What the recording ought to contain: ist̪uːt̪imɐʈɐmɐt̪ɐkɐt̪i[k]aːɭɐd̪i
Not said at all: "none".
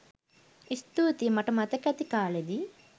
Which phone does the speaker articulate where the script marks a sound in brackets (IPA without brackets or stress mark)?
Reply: k